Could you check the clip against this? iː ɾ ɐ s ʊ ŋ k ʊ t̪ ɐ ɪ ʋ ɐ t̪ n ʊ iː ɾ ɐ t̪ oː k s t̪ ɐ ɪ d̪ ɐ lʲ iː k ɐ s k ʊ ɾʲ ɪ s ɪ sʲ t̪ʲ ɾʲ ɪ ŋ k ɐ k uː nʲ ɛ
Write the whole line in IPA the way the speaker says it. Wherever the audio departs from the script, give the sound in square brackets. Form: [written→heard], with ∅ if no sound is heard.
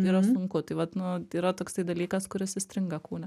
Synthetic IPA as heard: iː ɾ ɐ s ʊ ŋ k ʊ t̪ ɐ ɪ ʋ ɐ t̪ n ʊ iː ɾ ɐ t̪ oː k s t̪ ɐ ɪ d̪ ɐ lʲ iː k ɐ s k ʊ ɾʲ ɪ s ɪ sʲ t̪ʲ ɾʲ ɪ ŋ [k→ɡ] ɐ k uː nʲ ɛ